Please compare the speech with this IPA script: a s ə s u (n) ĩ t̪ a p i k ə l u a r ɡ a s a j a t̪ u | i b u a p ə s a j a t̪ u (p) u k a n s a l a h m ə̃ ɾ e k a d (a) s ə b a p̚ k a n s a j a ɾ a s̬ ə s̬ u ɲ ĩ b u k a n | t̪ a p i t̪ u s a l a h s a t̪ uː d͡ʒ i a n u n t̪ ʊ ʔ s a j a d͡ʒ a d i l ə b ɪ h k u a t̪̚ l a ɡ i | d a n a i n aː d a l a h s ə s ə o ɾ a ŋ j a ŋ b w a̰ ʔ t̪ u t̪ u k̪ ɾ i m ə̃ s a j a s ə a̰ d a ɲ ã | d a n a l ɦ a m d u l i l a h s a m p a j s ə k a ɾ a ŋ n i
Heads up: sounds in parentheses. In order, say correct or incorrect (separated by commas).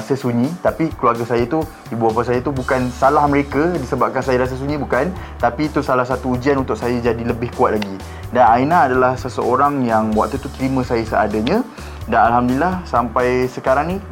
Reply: incorrect, incorrect, incorrect